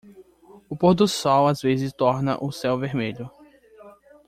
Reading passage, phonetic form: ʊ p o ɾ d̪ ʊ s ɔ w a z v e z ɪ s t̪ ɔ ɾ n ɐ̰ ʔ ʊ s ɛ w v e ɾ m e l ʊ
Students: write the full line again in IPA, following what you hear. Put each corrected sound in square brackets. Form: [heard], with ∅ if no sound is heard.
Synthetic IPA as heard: ʊ p o ɾ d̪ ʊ s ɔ w a z v e z ɪ s t̪ ɔ ɾ n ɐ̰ ʔ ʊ s ɛ w v e ɾ m e [ʎ] ʊ